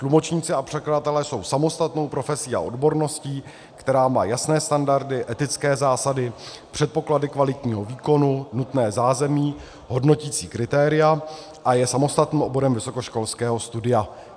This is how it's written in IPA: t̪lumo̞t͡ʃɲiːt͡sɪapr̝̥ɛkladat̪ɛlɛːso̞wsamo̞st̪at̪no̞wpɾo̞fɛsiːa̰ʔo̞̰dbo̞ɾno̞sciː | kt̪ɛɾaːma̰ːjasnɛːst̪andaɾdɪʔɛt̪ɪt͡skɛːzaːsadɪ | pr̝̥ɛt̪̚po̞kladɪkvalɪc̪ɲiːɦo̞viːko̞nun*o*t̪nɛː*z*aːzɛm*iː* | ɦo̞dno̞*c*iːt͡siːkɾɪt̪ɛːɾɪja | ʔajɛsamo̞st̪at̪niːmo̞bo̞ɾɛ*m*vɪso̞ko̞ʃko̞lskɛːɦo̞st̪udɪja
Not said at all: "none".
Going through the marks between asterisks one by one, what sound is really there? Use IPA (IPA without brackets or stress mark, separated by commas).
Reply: u, z, iː, c, m